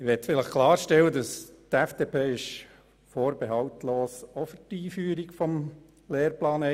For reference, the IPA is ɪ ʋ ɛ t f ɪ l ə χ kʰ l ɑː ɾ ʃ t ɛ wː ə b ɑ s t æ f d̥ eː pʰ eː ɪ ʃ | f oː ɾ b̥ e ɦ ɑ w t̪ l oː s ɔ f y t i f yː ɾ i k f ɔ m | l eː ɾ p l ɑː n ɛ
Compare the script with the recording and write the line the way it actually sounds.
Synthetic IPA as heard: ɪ ʋ ɛ t f ɪ l ə χ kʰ l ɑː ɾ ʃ t ɛ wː ə d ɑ s t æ f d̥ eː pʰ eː ɪ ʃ | f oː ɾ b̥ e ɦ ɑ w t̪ l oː s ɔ f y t iː f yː ɾ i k f ɔ m | l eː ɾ p l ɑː n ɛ